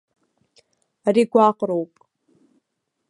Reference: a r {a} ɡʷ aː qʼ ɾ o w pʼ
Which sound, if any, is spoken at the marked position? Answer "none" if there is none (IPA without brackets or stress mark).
i